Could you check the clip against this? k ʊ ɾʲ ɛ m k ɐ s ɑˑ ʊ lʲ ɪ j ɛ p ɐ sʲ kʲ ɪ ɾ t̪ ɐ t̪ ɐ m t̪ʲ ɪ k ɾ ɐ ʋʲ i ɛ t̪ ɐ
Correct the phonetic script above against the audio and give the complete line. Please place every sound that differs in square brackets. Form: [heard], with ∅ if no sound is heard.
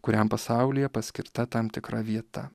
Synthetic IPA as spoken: k ʊ ɾʲ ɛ m [p] ɐ s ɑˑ ʊ lʲ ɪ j ɛ p ɐ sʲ kʲ ɪ ɾ t̪ ɐ t̪ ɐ m t̪ʲ ɪ k ɾ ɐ ʋʲ i ɛ t̪ ɐ